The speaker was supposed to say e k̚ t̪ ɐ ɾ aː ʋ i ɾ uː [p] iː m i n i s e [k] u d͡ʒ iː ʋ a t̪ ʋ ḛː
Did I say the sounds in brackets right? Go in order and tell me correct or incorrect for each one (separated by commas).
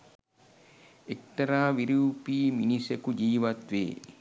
correct, correct